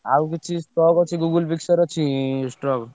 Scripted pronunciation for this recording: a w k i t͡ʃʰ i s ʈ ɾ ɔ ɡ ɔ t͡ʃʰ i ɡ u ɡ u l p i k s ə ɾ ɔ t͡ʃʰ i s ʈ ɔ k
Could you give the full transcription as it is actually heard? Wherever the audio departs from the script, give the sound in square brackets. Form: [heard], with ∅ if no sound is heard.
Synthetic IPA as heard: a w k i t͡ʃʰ i s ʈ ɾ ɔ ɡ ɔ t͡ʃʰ i ɡ u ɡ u l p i k s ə ɾ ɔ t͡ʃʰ i s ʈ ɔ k

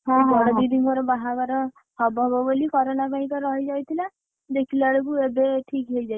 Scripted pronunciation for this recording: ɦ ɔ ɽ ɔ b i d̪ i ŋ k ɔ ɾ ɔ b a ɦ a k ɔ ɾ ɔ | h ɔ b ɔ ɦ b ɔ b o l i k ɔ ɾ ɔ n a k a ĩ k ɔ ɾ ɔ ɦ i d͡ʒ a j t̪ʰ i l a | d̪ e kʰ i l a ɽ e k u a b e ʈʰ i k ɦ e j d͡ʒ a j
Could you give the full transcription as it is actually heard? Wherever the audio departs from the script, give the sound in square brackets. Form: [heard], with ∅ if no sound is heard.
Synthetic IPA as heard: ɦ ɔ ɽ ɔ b i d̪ i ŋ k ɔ ɾ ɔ b a ɦ a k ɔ ɾ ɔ | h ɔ b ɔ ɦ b ɔ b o l i k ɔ ɾ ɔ n a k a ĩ k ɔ ɾ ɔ ɦ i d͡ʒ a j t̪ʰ i l a | d̪ e kʰ i l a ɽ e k u [e] b e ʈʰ i k ɦ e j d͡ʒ a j

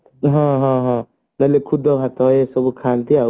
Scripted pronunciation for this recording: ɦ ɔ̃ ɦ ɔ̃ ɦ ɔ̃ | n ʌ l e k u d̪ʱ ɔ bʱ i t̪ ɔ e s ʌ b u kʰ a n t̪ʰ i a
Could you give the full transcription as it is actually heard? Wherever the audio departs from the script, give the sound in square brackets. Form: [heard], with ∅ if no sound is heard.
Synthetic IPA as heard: ɦ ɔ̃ ɦ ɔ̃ ɦ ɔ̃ | n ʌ l e [kʰ] u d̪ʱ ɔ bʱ [a] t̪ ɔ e s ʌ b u kʰ a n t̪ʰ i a

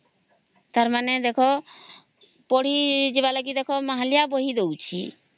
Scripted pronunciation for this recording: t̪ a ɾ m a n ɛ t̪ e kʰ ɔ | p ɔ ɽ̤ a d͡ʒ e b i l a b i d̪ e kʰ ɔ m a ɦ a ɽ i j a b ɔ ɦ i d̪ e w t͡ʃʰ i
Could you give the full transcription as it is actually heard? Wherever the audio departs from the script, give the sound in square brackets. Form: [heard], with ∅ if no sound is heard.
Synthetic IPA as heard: t̪ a ɾ m a n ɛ [d̪] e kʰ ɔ | p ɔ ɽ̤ [i] d͡ʒ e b [a] l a [ɡ] i d̪ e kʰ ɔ m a ɦ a [l] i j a b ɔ ɦ i d̪ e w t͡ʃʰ i

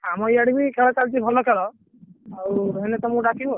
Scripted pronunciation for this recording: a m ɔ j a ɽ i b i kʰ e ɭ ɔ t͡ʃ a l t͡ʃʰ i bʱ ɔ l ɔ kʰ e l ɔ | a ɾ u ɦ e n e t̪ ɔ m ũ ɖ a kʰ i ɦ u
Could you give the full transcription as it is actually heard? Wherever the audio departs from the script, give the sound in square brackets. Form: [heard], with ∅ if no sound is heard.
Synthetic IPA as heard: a m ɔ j a ɽ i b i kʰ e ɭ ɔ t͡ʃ a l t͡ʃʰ i bʱ ɔ l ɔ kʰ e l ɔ | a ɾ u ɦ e n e t̪ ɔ m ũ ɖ a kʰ i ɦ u

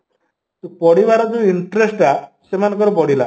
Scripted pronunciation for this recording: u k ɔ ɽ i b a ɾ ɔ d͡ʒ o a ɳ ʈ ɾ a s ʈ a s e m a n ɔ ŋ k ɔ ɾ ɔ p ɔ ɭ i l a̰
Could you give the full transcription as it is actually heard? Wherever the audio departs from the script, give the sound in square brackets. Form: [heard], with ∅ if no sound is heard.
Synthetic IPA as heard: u [p] ɔ ɽ i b a ɾ ɔ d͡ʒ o [i] ɳ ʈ ɾ [e] s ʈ a s e m a n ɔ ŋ k ɔ ɾ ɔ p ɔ [ɽ] i l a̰

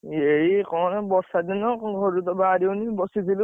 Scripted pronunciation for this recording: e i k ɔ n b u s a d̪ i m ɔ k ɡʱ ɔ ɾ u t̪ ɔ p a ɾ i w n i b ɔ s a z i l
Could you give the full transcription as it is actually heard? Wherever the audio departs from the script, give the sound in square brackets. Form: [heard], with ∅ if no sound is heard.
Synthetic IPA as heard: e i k ɔ n b [ɔ] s a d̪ i [n] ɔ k ɡʱ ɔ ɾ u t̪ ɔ [b] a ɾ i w n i b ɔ s [i] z i l

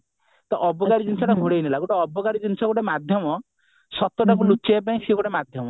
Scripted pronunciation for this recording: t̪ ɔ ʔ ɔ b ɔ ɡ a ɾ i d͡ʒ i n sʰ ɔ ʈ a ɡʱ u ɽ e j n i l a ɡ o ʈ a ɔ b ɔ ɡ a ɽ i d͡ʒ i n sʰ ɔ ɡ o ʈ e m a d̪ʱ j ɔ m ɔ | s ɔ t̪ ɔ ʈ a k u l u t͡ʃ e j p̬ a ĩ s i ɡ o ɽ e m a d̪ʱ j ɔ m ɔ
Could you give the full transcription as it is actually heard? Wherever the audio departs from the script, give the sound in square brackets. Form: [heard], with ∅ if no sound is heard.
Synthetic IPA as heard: t̪ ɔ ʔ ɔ b ɔ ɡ a ɾ i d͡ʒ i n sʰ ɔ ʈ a ɡʱ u ɽ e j n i l a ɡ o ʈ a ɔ b ɔ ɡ a [ɾ] i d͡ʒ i n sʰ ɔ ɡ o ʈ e m a d̪ʱ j ɔ m ɔ | s ɔ t̪ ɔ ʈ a k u l u t͡ʃ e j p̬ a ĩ s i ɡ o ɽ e m a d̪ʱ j ɔ m ɔ

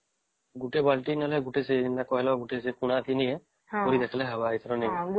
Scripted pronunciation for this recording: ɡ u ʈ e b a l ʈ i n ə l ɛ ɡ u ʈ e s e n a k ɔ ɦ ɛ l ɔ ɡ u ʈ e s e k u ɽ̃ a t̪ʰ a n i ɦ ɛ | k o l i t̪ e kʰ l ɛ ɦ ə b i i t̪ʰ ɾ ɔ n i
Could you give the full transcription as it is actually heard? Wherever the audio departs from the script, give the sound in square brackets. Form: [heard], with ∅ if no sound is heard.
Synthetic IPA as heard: ɡ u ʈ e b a l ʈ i n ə l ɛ ɡ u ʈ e s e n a k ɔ ɦ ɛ l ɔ ɡ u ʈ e s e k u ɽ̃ a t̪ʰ [i] n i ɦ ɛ | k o [ɾ] i [d̪] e kʰ l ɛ ɦ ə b [a] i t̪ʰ ɾ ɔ n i

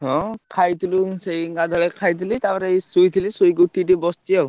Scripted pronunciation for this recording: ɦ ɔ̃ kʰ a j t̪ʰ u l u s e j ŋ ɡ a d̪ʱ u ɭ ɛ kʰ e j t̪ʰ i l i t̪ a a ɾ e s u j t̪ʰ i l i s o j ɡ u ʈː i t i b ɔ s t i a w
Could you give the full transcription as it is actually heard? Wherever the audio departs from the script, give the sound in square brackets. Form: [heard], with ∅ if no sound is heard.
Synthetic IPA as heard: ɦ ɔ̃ kʰ a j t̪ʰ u l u s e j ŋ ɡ a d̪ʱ [ɔ] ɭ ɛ kʰ [a] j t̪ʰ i l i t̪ a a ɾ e s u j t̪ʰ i l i s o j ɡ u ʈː i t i b ɔ s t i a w

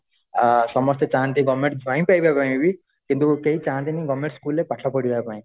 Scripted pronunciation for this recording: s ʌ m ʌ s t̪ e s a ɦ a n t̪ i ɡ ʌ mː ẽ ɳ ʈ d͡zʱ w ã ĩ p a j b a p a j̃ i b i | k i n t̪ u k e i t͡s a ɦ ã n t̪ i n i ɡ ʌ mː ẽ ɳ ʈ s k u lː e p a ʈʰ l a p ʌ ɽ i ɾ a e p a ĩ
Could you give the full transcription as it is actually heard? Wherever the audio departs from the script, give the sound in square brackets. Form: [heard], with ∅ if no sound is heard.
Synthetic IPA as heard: s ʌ m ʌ s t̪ e [t͡s] a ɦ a n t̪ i ɡ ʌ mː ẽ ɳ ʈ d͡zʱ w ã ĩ p a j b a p a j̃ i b i | k i n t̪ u k e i t͡s a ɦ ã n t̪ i n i ɡ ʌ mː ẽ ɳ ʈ s k u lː e p a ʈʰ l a p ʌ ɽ i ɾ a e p a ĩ

